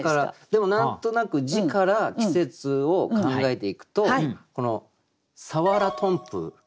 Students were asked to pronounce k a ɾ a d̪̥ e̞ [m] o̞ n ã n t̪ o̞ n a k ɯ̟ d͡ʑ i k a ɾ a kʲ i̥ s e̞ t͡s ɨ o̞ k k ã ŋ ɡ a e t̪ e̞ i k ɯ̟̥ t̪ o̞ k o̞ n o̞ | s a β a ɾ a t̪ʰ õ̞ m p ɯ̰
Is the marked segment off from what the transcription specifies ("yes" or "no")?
no